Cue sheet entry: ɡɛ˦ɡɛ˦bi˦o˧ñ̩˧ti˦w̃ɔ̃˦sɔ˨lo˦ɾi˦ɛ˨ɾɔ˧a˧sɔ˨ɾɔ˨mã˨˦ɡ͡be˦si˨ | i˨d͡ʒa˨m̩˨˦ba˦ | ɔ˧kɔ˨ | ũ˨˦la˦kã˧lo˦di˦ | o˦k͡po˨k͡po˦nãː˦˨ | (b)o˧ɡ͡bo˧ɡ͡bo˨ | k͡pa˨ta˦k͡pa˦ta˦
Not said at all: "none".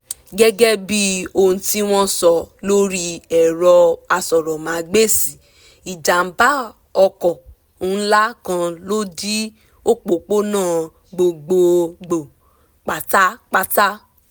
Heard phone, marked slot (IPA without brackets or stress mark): ɡ͡b